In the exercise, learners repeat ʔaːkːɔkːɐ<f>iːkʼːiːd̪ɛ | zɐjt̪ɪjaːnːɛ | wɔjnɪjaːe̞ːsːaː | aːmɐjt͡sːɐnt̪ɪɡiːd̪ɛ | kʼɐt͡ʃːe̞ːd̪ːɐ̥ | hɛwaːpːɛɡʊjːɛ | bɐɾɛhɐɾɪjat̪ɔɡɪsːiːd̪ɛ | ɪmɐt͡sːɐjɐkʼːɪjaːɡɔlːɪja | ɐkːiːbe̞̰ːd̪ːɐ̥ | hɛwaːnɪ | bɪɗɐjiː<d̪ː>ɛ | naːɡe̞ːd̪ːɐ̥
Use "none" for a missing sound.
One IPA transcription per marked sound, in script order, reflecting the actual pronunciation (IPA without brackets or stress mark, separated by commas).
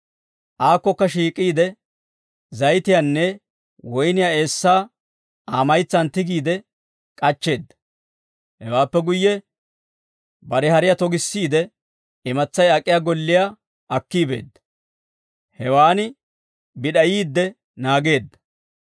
ʃ, d̪ː